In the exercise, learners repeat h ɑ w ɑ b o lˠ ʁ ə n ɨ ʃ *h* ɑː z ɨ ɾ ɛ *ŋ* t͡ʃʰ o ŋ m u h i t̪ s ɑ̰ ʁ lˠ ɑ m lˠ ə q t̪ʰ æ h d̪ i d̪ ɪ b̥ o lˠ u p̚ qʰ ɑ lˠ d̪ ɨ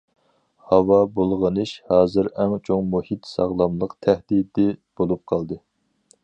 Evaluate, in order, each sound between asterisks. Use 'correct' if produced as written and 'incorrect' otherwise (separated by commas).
correct, correct